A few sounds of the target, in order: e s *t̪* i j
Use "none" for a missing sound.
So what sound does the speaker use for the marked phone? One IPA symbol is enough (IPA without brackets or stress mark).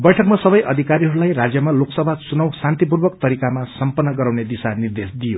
d̪